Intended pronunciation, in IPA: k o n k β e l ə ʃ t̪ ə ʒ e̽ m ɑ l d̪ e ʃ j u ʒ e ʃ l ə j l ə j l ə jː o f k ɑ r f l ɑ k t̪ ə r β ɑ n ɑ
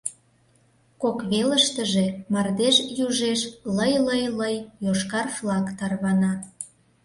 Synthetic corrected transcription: k o k β e l ə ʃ t̪ ə ʒ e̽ m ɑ r d̪ e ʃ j u ʒ e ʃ l ə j l ə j l ə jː o ʃ k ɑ r f l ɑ k t̪ ɑ r β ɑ n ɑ